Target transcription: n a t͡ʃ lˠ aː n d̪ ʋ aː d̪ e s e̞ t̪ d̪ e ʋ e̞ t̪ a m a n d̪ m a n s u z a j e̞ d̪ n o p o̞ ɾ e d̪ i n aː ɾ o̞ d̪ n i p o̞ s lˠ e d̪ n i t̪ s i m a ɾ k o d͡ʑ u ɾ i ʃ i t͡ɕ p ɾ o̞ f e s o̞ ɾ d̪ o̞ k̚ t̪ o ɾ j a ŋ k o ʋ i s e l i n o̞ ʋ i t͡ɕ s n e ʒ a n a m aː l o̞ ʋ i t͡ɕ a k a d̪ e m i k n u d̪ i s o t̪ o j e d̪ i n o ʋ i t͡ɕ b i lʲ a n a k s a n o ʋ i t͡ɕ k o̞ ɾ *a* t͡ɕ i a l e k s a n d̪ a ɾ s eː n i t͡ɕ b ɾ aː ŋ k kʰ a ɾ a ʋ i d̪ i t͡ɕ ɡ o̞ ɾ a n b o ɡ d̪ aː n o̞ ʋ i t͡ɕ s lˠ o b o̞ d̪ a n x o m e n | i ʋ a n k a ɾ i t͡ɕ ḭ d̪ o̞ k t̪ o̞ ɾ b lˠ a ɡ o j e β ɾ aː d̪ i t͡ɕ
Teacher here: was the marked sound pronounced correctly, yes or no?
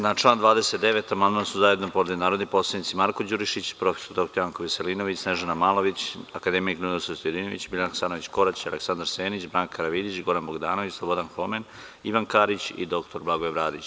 yes